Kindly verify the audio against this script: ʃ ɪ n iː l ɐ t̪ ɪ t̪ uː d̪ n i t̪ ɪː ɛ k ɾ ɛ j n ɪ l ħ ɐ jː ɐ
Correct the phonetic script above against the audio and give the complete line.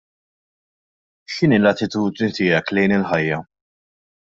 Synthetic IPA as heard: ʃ ɪ n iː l ɐ t̪ ɪ t̪ uː d̪ n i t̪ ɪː ɛ k l ɛ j n ɪ l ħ ɐ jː ɐ